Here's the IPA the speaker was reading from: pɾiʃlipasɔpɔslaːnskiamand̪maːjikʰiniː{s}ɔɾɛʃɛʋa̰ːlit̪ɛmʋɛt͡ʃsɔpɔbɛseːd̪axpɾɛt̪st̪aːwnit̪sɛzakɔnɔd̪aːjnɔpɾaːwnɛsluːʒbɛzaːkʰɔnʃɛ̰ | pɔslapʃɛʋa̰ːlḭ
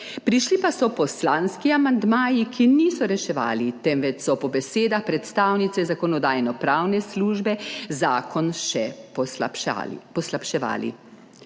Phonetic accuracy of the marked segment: correct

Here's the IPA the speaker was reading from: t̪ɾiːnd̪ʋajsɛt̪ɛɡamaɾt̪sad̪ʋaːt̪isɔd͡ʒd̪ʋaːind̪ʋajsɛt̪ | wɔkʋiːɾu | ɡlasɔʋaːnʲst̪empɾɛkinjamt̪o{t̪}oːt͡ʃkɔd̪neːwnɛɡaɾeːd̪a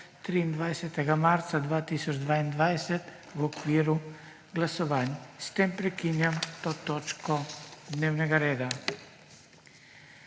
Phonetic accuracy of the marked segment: correct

